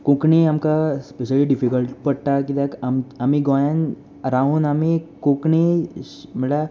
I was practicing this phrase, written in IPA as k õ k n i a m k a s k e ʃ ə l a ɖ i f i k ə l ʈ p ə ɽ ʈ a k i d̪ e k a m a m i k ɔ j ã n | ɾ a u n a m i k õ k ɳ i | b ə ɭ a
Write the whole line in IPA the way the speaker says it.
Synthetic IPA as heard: k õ k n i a m k a s p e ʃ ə l i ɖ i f i k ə l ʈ p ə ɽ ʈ a k i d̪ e k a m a m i ɡ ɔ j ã n | ɾ a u n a m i k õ k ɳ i | m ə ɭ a